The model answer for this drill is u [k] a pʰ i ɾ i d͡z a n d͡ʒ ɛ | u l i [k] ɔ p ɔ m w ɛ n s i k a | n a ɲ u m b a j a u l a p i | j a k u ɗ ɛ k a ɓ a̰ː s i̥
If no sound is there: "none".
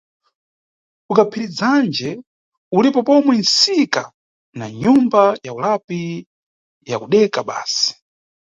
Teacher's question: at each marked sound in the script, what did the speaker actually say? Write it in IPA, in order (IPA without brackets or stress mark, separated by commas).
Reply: k, p